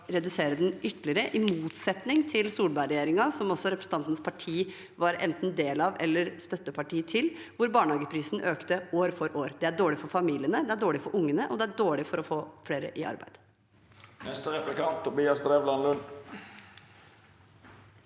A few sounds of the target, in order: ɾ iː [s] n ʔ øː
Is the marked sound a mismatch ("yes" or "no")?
no